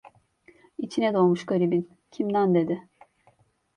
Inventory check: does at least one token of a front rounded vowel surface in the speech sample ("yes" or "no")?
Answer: no